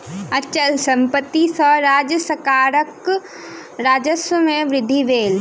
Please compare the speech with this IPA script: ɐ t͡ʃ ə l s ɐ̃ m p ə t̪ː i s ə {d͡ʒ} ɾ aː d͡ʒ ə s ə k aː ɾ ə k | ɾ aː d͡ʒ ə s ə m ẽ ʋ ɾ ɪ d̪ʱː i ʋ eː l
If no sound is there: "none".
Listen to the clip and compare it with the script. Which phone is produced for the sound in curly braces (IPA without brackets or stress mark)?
none